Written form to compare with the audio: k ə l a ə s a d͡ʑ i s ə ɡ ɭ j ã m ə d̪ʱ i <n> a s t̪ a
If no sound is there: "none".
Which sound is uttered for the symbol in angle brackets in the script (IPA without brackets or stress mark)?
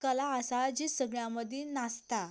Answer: n